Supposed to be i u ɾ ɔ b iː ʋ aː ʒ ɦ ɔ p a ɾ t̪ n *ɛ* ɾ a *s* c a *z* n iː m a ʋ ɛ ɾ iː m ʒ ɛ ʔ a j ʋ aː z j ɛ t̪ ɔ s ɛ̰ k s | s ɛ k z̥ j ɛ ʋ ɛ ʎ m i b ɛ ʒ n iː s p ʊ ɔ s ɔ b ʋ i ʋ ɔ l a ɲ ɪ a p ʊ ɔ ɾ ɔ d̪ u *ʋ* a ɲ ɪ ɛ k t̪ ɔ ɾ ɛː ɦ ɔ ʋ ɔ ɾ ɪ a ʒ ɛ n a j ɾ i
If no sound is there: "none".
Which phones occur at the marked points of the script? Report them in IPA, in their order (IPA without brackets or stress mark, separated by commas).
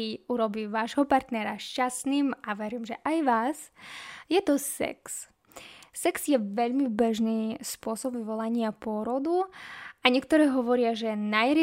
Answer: ɛ, ʃ, s, none